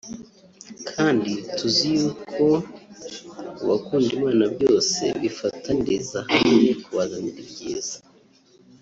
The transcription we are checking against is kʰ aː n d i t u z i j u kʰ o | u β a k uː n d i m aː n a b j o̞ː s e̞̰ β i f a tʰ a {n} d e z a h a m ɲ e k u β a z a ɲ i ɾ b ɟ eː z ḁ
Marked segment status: correct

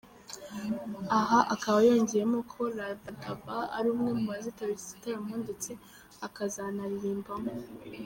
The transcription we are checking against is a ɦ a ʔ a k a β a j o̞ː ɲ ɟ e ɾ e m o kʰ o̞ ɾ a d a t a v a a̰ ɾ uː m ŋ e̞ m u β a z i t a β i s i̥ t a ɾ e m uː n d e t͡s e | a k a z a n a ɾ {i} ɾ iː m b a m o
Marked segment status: correct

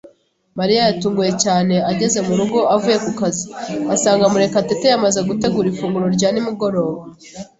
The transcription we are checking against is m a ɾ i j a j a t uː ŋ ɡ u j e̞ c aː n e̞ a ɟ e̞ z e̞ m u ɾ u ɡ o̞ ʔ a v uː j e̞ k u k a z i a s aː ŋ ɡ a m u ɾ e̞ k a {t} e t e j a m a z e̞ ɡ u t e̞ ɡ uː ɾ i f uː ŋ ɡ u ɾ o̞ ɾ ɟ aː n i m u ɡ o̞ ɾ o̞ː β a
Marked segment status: correct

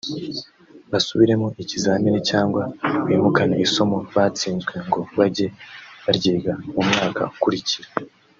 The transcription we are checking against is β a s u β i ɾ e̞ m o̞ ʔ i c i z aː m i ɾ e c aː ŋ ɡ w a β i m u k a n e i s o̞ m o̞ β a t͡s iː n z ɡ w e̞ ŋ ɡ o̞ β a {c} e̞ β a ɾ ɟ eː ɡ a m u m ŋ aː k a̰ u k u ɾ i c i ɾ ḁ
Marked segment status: incorrect: ɟ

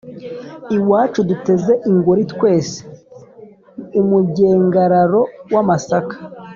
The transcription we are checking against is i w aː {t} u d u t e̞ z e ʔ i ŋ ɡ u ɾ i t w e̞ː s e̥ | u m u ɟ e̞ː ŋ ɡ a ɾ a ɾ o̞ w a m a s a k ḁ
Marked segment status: incorrect: t͡ʃ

